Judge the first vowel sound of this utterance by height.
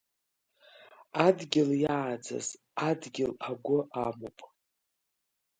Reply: low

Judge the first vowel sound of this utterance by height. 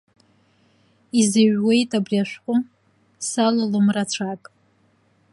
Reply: high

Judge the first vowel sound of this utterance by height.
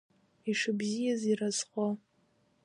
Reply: high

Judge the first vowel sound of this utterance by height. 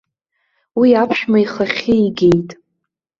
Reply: high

